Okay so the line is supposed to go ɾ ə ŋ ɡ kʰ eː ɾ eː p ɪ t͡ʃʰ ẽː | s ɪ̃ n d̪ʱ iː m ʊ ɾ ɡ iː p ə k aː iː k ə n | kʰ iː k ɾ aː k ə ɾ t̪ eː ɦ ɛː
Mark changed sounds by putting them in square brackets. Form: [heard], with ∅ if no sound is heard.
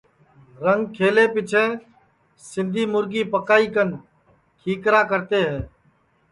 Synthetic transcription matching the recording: ɾ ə ŋ ɡ kʰ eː [l] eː p ɪ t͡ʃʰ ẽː | s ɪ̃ n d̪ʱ iː m ʊ ɾ ɡ iː p ə k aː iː k ə n | kʰ iː k ɾ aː k ə ɾ t̪ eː ɦ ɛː